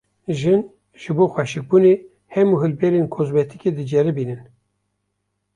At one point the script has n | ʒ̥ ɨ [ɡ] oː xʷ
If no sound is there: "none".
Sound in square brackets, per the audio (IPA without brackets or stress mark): b